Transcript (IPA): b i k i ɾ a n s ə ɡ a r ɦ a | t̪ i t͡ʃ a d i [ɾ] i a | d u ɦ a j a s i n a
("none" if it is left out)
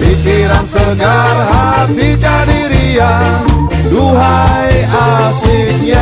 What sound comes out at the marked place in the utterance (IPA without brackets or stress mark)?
ɾ